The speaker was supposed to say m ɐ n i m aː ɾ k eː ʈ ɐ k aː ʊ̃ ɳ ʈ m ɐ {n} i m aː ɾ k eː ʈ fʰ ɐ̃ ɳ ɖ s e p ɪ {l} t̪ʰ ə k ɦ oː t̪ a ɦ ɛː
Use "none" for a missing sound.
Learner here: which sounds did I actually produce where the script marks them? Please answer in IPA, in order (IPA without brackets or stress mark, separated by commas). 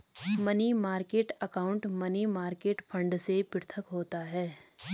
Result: n, ɾ